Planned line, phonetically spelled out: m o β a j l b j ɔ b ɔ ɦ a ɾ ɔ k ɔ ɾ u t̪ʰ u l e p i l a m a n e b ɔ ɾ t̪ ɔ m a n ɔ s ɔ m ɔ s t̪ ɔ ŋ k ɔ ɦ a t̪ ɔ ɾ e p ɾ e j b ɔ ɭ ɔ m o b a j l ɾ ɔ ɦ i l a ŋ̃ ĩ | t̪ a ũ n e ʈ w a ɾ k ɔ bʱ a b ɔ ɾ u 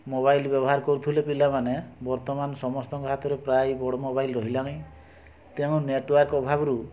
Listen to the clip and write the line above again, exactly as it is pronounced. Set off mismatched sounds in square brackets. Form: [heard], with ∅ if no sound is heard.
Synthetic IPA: m o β a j l b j ɔ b ɔ ɦ a ɾ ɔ k ɔ ɾ u t̪ʰ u l e p i l a m a n e b ɔ ɾ t̪ ɔ m a n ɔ s ɔ m ɔ s t̪ ɔ ŋ k ɔ ɦ a t̪ ɔ ɾ e p ɾ [a] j b ɔ [ɽ] ɔ m o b a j l ɾ ɔ ɦ i l a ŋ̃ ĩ | t̪ [e] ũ n e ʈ w a ɾ k ɔ bʱ a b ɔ ɾ u